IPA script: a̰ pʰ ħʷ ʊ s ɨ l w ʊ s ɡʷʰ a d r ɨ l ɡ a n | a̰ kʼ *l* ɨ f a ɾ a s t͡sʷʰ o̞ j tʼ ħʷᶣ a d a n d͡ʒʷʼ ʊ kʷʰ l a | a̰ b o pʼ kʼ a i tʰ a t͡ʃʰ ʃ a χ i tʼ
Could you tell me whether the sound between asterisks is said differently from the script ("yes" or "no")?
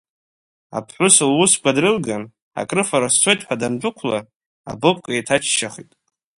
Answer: yes